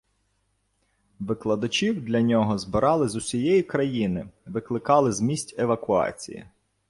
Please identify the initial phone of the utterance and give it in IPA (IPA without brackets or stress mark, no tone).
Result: ʋ